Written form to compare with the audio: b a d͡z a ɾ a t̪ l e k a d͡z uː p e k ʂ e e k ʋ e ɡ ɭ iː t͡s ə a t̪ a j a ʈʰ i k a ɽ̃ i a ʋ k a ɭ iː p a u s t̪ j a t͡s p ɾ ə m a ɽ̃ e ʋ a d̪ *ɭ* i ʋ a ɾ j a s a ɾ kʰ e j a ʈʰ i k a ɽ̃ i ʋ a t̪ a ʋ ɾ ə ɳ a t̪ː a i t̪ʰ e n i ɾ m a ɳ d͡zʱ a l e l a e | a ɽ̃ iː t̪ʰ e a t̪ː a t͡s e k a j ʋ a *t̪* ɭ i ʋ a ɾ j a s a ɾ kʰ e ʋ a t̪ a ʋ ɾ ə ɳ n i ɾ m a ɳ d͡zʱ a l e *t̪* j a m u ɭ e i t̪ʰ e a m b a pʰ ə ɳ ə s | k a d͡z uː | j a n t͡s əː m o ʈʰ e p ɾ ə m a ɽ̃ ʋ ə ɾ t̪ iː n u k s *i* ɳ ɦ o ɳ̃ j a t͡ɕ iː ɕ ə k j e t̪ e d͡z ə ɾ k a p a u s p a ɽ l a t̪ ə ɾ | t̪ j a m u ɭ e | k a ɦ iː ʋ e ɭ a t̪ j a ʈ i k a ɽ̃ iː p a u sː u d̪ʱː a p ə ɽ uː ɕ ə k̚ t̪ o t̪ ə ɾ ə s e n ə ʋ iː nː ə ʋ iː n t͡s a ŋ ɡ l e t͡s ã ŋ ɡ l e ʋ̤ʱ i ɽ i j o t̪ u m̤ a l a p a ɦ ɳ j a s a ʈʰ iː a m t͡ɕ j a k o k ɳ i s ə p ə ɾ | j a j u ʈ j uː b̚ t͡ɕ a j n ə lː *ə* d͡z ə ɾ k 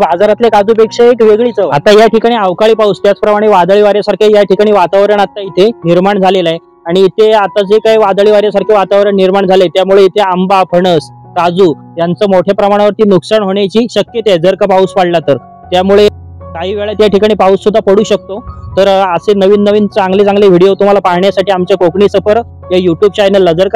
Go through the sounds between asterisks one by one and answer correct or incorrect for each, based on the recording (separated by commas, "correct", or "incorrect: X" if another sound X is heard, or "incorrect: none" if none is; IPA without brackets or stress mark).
correct, incorrect: d̪, correct, incorrect: a, correct